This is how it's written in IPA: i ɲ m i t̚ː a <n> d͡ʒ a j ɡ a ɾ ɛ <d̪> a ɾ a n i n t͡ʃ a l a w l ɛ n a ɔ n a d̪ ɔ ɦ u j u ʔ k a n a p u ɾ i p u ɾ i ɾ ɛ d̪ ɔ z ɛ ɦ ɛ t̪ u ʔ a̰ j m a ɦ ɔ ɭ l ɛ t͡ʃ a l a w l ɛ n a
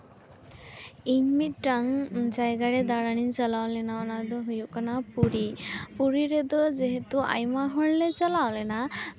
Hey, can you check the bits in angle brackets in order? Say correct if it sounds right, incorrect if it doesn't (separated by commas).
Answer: incorrect, correct